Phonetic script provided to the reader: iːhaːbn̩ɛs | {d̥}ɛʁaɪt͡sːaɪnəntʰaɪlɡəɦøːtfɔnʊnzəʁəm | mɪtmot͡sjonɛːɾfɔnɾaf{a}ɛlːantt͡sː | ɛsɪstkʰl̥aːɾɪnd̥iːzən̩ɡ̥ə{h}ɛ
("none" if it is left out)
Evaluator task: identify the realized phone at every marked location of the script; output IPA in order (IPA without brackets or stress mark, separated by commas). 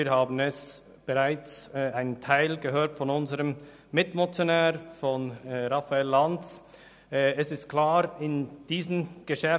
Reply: b̥, a, ʃ